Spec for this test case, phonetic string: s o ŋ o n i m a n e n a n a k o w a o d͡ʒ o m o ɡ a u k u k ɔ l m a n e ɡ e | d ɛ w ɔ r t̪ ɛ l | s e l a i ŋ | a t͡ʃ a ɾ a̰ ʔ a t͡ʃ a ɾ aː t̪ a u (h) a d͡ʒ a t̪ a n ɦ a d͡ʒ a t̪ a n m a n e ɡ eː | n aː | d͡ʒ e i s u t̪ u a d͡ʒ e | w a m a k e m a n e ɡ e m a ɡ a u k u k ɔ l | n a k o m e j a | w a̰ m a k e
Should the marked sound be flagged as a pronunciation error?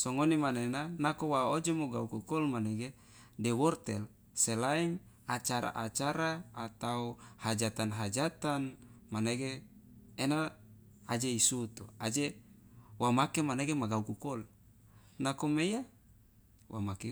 no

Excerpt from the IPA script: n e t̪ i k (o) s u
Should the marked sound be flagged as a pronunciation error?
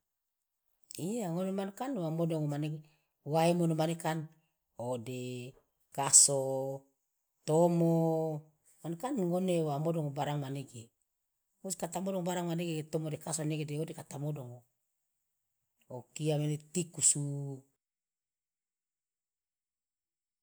yes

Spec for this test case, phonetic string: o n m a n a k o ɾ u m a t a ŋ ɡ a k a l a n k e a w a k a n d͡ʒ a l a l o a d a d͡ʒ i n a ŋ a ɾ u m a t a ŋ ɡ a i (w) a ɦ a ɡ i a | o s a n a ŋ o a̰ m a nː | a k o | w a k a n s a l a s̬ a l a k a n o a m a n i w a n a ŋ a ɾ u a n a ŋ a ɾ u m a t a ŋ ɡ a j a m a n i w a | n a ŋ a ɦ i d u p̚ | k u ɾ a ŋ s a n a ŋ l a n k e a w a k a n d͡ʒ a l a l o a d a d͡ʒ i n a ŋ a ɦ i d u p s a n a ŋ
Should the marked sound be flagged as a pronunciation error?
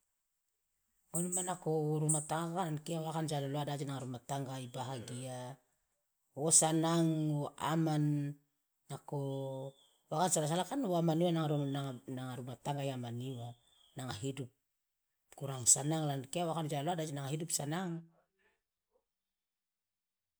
yes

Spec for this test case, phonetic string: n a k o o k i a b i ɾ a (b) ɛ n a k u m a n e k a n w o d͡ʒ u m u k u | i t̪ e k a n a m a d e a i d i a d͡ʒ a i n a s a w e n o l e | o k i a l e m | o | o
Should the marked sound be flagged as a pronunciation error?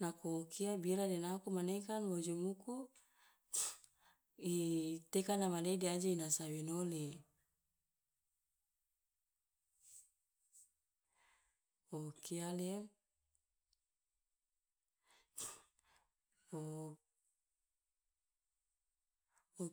yes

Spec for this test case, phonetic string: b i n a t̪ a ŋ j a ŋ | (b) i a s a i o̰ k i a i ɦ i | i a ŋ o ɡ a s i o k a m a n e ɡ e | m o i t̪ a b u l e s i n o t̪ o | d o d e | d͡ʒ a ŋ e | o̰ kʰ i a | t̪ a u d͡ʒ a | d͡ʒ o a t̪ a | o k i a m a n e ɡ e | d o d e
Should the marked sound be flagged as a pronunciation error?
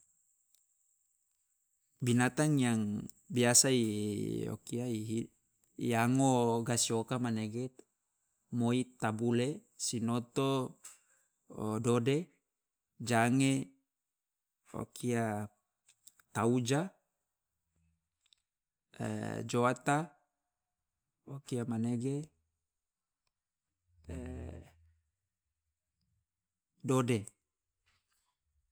no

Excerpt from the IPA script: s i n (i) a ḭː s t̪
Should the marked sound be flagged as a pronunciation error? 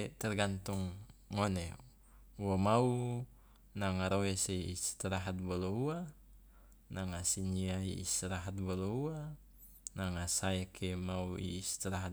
no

